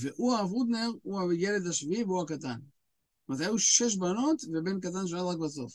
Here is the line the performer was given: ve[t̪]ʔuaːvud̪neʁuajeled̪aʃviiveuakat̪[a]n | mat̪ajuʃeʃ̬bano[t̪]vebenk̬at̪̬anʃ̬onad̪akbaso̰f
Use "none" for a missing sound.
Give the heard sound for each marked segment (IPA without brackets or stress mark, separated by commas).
none, a, t̪